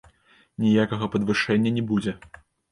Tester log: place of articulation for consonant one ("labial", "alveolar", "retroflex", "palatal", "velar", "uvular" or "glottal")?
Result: alveolar